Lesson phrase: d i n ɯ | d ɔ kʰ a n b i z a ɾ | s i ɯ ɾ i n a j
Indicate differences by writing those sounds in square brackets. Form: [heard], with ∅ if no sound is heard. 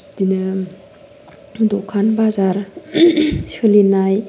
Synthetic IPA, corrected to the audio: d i n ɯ | d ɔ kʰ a n b [a] z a ɾ | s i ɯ [l] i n a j

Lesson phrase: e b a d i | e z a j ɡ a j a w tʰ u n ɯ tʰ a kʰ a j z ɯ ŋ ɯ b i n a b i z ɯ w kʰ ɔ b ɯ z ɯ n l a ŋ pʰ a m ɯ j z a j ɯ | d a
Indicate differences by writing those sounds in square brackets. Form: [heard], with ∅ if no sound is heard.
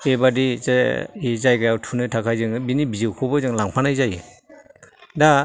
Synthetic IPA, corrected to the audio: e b a d i | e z a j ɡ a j a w tʰ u n ɯ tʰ a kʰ a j z ɯ ŋ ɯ b i n [i] b i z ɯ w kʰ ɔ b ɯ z ɯ [ŋ] l a ŋ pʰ a [n] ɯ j z a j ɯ | d a

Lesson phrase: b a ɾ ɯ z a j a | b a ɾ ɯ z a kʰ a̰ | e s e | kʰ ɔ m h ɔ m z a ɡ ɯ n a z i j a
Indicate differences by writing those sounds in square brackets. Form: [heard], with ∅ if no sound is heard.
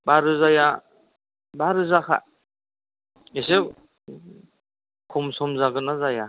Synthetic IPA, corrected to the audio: b a ɾ ɯ z a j a | b a ɾ ɯ z a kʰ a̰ | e s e | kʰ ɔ m [s] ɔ m z a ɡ ɯ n a z [a] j a

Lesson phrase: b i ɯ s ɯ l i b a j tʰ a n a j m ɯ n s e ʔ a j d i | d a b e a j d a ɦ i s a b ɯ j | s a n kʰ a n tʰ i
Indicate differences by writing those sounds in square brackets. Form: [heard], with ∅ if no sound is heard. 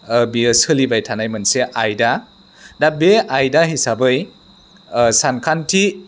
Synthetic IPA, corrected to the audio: b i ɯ s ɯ l i b a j tʰ a n a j m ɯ n s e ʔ a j d [a] | d a b e a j d a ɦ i s a b ɯ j | s a n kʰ a n tʰ i

